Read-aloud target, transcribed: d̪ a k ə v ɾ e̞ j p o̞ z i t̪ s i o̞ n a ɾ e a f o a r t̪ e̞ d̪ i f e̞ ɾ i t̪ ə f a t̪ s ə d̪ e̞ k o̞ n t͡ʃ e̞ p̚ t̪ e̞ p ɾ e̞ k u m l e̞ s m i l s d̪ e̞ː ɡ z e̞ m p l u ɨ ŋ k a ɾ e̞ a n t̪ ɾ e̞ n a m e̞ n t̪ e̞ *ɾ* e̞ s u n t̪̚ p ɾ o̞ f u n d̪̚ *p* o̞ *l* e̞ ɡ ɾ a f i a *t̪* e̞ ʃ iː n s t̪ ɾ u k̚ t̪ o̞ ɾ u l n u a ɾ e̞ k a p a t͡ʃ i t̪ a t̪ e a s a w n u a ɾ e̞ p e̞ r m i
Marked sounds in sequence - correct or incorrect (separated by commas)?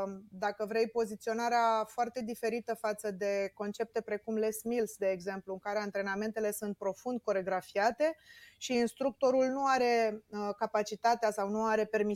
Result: incorrect, incorrect, incorrect, correct